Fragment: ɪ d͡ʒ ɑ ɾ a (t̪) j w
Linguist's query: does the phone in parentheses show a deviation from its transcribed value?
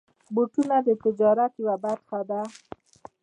no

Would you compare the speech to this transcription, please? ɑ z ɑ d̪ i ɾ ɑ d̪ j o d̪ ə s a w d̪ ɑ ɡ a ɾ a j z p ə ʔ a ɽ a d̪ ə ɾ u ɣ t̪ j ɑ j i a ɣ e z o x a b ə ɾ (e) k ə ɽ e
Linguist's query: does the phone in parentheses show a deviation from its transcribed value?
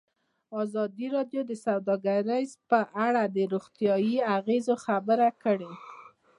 yes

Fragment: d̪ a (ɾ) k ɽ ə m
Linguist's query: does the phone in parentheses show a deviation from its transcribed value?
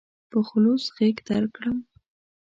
no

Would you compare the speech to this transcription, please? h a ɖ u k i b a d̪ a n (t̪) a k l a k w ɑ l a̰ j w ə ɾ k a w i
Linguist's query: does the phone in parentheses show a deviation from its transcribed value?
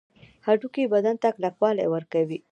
no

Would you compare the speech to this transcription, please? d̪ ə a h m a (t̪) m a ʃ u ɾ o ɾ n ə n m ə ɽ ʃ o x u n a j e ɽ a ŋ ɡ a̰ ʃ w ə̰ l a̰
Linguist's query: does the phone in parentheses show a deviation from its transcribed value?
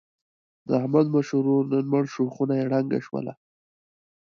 yes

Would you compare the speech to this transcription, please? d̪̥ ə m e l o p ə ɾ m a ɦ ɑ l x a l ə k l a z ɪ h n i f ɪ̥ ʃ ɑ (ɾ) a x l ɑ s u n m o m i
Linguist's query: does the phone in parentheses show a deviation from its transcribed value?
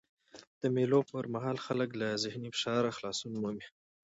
no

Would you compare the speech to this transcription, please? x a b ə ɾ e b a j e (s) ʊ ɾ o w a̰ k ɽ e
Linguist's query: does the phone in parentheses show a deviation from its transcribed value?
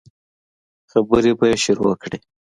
yes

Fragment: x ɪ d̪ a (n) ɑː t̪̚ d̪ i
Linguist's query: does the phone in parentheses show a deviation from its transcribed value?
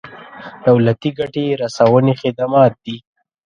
yes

